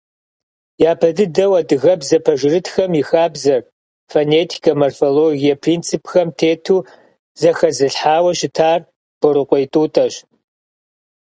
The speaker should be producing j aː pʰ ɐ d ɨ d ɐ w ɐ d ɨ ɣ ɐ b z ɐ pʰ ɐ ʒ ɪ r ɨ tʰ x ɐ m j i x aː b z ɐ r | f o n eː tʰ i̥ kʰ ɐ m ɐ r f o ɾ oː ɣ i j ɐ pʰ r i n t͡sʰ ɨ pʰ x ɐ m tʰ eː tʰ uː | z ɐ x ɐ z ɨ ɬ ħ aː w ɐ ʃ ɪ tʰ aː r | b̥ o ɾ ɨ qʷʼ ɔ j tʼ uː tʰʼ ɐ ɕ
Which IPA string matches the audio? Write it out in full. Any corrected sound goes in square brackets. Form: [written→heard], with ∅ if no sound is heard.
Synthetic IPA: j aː pʰ ɐ d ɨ d ɐ w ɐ d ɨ ɣ ɐ b z ɐ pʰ ɐ ʒ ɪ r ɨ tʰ x ɐ m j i x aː b z ɐ r | f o n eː tʰ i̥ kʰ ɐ m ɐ r f o [ɾ→l] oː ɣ i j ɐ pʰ r i n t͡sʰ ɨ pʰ x ɐ m tʰ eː tʰ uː | z ɐ x ɐ z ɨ ɬ ħ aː w ɐ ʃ ɪ tʰ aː r | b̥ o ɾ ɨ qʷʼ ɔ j tʼ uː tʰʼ ɐ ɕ